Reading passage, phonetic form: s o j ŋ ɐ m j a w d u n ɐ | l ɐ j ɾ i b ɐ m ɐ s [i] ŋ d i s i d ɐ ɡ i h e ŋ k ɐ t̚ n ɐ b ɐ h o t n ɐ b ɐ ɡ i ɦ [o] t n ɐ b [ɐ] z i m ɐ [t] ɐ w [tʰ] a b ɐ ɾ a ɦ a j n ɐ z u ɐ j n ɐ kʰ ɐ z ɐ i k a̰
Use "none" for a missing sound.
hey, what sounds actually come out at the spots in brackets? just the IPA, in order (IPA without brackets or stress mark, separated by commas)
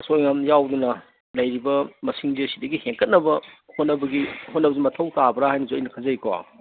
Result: i, o, ɐ, tʰ, t